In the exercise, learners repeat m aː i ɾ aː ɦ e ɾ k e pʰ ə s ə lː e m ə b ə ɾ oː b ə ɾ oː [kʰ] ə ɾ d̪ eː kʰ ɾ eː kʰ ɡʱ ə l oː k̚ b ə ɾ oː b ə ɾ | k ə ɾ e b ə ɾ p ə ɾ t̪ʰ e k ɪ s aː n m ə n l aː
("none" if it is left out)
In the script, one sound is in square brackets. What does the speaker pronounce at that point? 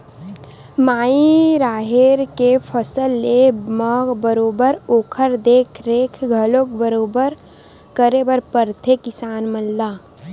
kʰ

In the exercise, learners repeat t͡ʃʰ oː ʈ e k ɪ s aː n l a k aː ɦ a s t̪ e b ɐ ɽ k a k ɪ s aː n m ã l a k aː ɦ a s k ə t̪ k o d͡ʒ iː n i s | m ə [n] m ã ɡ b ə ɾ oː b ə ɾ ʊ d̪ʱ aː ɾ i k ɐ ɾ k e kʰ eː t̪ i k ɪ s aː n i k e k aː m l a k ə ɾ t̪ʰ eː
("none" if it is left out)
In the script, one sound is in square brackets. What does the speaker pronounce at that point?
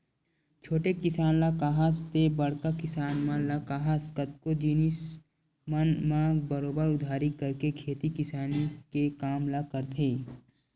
n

